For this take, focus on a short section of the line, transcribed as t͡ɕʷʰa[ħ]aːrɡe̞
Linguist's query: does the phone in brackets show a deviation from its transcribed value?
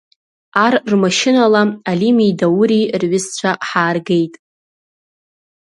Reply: no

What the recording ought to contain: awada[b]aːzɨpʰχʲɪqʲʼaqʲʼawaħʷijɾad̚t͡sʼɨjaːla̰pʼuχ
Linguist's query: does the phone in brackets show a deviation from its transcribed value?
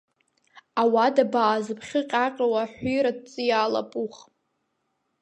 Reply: no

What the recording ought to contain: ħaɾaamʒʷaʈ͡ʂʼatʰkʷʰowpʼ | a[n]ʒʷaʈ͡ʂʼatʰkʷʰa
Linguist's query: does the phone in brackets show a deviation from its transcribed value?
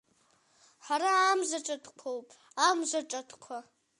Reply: yes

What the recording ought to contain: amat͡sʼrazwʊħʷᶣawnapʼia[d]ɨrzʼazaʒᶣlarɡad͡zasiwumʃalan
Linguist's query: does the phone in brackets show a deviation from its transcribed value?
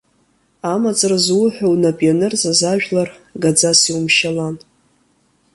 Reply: yes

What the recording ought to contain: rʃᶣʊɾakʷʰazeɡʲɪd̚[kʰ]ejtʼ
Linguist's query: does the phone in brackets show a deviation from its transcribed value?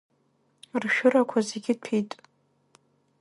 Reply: yes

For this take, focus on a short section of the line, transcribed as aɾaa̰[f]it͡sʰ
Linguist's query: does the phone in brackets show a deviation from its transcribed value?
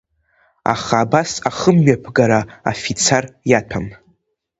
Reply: no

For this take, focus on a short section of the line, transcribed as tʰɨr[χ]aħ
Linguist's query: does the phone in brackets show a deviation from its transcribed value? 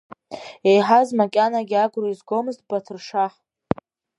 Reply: yes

